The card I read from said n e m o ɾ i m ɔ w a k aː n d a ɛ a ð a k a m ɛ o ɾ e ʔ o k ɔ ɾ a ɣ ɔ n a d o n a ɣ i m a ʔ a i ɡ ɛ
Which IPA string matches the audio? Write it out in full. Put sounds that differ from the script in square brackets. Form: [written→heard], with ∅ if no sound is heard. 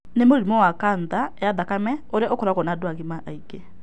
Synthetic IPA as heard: n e m o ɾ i m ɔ w a k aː n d a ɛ a ð a k a m ɛ o ɾ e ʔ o k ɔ ɾ a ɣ ɔ n a d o [n→∅] a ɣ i m a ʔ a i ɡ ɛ